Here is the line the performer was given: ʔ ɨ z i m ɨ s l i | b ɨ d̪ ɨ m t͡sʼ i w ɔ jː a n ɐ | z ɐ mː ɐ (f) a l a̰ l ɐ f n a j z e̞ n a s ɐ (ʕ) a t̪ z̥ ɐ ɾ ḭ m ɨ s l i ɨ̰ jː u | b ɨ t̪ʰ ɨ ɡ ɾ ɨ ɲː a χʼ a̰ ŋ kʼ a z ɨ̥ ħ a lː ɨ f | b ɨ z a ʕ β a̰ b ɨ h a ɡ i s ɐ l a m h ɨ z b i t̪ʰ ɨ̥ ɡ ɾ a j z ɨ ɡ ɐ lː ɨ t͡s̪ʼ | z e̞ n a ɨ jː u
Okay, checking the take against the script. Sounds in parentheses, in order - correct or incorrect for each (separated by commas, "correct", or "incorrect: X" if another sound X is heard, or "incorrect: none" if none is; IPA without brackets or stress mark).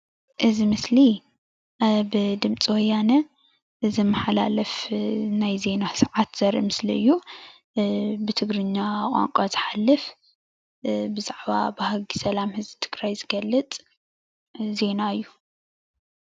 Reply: incorrect: ħ, correct